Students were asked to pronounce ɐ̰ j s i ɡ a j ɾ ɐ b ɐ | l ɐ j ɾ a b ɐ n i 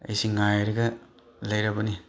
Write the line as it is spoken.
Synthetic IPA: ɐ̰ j s i ŋ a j ɾ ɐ ɡ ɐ | l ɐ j ɾ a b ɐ n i